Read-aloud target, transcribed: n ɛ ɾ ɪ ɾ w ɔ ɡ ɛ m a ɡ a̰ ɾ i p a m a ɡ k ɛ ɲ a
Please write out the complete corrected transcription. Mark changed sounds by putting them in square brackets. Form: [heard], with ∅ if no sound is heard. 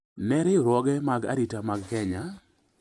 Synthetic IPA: n ɛ ɾ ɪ ɾ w ɔ ɡ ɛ m a ɡ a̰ ɾ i [t] a m a ɡ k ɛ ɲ a